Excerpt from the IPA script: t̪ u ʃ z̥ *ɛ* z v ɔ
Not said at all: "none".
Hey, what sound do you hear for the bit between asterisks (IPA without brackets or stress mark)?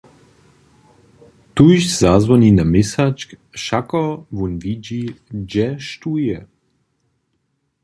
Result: a